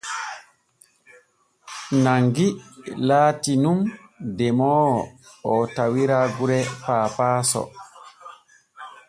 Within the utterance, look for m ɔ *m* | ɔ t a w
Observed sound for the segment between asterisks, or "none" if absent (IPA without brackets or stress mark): none